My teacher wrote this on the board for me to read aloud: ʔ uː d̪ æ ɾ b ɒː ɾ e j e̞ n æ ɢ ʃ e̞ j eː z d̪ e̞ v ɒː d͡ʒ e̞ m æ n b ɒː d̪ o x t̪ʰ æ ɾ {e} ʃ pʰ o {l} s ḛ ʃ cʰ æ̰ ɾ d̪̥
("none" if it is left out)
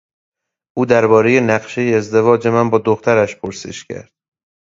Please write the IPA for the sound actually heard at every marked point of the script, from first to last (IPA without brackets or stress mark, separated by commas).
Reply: æ, ɾ